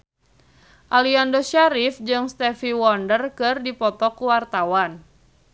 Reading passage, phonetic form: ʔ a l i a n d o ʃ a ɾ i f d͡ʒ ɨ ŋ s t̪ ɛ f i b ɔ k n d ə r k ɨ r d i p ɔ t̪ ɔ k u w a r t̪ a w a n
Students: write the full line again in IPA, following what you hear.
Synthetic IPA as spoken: ʔ a l i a n d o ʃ a ɾ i f d͡ʒ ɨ ŋ s t̪ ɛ f i w ɔ n d ə r k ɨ r d i p ɔ t̪ ɔ k u w a r t̪ a w a n